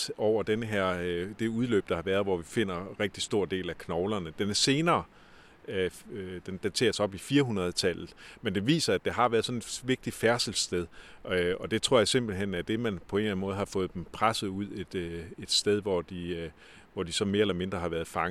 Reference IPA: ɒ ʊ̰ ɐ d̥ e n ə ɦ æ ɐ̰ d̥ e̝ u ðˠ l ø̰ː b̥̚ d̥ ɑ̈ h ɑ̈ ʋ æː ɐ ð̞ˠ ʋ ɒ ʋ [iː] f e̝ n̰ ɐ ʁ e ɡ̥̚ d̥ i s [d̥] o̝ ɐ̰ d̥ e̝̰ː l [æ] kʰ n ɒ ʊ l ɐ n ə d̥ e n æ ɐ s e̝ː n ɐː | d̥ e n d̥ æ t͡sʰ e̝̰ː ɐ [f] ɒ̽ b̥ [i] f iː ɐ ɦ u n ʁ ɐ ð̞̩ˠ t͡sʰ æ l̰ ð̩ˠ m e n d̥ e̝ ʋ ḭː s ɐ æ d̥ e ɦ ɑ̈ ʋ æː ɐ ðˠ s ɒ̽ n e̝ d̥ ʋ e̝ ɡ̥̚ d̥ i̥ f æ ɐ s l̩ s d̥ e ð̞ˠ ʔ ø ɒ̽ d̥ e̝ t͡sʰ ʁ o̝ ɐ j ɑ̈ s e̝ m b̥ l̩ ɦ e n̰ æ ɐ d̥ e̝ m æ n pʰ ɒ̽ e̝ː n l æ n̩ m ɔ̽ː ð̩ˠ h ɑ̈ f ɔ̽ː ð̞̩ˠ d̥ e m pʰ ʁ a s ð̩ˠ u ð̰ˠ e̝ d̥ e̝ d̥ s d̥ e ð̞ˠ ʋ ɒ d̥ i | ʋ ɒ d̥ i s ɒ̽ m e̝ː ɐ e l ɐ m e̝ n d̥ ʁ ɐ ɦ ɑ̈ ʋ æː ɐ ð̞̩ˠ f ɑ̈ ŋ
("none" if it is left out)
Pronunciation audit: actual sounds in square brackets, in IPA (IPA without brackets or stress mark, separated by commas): i, d̥, æ, s, i